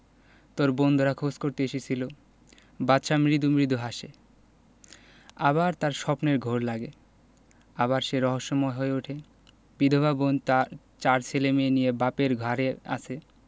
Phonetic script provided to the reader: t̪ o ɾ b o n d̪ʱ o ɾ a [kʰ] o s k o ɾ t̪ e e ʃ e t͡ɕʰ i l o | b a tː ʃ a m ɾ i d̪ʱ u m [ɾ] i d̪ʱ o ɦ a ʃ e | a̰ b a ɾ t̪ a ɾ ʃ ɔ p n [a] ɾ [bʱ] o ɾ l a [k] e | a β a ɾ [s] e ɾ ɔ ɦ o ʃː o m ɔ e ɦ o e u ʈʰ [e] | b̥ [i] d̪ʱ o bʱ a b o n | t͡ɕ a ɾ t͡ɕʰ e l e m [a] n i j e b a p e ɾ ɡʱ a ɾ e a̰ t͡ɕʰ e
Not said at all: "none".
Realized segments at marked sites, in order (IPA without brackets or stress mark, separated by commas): kʰ, ɾ, e, ɡʱ, ɡ, ʃ, e, i, e